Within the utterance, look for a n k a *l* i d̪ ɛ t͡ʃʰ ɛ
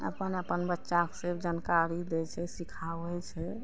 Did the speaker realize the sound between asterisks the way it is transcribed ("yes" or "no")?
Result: no